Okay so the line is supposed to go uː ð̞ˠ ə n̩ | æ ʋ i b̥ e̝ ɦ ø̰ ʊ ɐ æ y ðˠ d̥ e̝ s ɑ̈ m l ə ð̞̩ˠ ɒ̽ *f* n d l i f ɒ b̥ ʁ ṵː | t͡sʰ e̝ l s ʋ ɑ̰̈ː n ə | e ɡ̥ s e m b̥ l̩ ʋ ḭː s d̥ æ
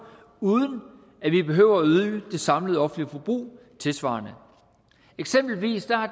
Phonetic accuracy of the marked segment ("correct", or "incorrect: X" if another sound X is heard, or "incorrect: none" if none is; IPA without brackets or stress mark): correct